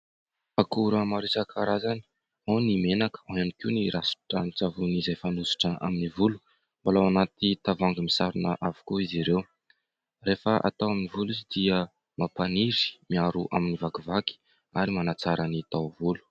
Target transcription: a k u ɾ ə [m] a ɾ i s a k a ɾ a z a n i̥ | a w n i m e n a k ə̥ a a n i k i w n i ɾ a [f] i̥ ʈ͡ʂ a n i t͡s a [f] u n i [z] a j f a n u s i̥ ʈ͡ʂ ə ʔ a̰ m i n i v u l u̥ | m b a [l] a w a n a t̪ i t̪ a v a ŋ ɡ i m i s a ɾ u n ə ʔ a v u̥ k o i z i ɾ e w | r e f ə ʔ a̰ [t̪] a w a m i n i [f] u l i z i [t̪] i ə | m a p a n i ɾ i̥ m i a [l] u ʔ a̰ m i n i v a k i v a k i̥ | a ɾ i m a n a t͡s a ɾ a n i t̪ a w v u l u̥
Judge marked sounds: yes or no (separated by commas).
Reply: yes, no, no, yes, yes, yes, no, no, no